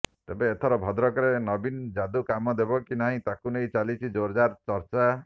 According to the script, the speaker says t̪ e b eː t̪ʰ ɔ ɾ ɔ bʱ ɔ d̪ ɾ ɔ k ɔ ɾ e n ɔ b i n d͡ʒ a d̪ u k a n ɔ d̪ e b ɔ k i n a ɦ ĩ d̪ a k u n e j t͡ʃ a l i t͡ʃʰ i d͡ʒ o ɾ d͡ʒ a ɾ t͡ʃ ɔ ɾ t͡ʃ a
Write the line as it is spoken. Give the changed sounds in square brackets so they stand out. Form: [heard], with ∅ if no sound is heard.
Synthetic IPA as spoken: t̪ e b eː t̪ʰ ɔ ɾ ɔ bʱ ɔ d̪ ɾ ɔ k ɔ ɾ e n ɔ b i n d͡ʒ a d̪ u k a [m] ɔ d̪ e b ɔ k i n a ɦ ĩ [t̪] a k u n e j t͡ʃ a l i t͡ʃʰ i d͡ʒ o ɾ d͡ʒ a ɾ t͡ʃ ɔ ɾ t͡ʃ a